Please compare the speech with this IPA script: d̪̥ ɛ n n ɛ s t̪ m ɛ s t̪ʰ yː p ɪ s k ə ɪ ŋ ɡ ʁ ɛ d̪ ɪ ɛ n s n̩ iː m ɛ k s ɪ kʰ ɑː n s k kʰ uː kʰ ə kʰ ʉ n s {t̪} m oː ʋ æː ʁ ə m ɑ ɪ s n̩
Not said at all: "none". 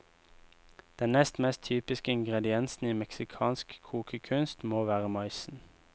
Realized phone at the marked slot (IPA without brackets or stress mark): t̪